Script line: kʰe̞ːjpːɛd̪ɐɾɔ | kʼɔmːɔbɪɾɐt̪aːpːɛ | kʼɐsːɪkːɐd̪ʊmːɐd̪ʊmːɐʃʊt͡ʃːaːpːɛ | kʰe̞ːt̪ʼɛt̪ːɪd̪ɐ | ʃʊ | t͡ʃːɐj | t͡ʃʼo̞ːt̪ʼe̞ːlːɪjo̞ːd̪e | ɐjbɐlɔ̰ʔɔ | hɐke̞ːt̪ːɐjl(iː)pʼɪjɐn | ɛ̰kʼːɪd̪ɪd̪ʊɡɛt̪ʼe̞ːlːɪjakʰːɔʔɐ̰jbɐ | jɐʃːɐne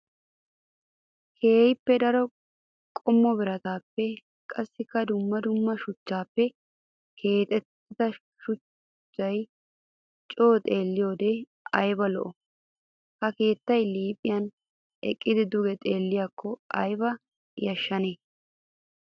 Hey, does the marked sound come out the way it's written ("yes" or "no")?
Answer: yes